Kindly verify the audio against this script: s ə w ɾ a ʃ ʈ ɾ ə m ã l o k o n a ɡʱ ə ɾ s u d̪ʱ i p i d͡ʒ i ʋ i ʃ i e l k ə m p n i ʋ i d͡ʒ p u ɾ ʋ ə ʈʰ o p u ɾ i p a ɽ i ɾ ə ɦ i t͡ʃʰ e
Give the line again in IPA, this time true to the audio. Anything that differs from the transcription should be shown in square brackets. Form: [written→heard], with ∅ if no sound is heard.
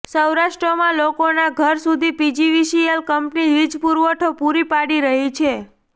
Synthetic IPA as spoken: s ə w ɾ a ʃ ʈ ɾ ə m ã l o k o n a ɡʱ ə ɾ s u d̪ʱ i p i d͡ʒ i ʋ i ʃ i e l k ə m p n i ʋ i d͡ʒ p u ɾ ʋ ə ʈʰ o p u ɾ i p a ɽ i ɾ ə ɦ i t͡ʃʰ e